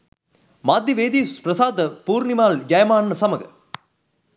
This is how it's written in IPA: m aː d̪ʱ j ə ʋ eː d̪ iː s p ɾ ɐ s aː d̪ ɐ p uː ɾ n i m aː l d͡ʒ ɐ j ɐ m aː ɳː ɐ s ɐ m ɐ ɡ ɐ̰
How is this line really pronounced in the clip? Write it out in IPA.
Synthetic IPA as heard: m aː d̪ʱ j ɐ ʋ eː d̪ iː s p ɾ ɐ s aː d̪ ɐ p uː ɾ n i m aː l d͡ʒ ɐ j ɐ m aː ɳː ɐ s ɐ m ɐ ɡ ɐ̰